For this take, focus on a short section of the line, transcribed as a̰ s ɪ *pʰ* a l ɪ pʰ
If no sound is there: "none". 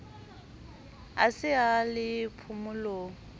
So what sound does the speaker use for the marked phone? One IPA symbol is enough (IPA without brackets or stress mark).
none